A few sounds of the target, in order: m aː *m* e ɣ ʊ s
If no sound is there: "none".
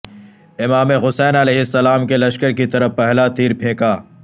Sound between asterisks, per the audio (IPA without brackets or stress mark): m